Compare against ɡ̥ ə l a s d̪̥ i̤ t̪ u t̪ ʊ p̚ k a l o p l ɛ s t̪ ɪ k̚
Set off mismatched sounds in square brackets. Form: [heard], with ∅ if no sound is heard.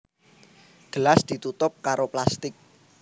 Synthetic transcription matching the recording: ɡ̥ ə l a s d̪̥ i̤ t̪ u t̪ ʊ p̚ k a [ɾ] o p l [a] s t̪ ɪ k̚